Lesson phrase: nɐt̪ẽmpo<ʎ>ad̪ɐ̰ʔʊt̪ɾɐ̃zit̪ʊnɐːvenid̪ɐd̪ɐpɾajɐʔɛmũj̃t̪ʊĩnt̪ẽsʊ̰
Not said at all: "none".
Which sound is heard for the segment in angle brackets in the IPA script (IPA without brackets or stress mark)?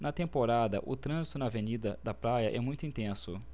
ɾ